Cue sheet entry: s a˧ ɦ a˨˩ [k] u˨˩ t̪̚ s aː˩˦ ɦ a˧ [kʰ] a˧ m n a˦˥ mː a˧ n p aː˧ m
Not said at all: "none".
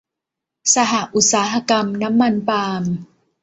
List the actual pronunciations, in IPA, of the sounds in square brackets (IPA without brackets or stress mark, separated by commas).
ʔ, k